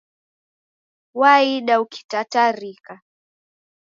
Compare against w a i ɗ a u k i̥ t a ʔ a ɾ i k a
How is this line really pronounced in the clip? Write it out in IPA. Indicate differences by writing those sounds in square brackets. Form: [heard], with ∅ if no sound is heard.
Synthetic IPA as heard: w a i ɗ a u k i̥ t a [t] a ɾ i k a